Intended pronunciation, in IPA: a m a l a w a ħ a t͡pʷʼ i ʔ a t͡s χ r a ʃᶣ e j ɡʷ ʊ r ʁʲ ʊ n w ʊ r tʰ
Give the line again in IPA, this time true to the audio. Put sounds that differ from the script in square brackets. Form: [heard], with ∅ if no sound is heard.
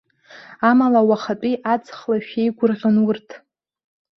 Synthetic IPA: a m a l a w a [χ] a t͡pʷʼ i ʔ a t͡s χ [l] a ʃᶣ e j ɡʷ ʊ r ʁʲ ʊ n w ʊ r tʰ